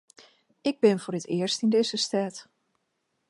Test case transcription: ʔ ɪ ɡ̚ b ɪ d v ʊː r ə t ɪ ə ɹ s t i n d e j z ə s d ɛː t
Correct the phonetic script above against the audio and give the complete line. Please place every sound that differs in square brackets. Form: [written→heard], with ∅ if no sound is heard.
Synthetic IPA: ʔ ɪ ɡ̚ b ɪ [d→n] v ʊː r ə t ɪ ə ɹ s t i n d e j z ə s [d→t] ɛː t